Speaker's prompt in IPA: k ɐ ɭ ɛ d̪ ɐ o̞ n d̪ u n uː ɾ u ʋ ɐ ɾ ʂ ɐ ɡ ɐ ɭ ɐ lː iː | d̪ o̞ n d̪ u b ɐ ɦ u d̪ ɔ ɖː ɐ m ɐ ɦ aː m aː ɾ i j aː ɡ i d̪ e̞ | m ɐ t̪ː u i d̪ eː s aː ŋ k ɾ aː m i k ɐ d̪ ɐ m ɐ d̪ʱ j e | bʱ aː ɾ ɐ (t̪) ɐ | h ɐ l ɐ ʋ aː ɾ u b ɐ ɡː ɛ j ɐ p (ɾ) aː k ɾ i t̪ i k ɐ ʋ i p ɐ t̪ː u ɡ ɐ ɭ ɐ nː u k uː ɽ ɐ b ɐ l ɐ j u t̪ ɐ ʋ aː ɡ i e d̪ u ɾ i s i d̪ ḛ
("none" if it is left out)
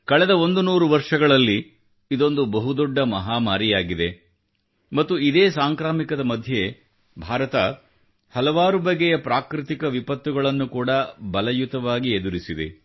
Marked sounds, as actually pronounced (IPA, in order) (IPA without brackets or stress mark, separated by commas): t̪, ɾ